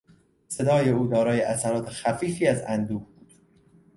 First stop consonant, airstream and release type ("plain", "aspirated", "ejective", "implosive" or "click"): plain